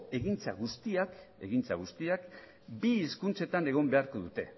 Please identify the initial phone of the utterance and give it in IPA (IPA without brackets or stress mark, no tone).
e̞